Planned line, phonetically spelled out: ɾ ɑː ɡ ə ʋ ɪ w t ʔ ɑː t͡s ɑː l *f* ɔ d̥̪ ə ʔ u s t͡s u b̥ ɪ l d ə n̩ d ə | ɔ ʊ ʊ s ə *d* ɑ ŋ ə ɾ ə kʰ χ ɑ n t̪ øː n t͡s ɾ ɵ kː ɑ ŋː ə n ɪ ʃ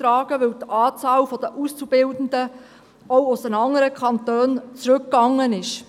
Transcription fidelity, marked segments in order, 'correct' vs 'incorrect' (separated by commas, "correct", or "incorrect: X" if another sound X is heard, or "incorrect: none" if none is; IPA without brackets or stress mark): correct, incorrect: n